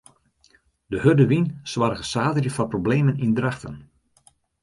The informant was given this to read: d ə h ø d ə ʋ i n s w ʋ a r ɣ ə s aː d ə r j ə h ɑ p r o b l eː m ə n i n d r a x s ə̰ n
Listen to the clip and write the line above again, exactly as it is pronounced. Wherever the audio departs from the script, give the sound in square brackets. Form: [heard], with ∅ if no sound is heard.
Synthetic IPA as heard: d ə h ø d ə ʋ i n s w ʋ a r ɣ ə s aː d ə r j ə [f] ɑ p r o b l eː m ə n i n d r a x [t] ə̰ n